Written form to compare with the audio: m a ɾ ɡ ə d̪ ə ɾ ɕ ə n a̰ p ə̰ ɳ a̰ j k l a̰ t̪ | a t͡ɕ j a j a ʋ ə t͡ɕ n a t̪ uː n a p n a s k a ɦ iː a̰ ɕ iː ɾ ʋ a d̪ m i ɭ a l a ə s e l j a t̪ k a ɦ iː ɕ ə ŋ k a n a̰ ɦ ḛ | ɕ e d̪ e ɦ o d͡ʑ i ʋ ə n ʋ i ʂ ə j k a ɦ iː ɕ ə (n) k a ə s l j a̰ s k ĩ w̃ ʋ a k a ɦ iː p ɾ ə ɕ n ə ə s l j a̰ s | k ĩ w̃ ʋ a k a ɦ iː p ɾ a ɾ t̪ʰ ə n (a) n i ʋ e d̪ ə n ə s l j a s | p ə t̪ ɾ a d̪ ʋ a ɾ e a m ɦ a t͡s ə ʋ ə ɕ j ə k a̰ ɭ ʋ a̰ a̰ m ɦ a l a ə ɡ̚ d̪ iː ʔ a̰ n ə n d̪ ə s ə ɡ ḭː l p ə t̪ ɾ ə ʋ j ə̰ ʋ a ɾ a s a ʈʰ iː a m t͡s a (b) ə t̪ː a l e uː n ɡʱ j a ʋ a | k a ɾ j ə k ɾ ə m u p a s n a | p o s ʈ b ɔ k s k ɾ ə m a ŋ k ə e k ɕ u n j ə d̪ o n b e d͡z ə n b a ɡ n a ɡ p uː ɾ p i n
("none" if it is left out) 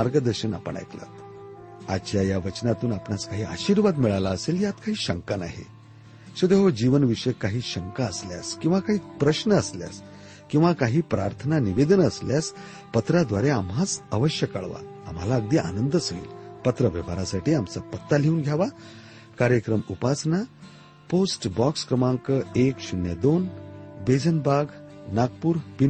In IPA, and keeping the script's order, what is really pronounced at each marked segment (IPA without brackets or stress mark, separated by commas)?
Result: ŋ, a, p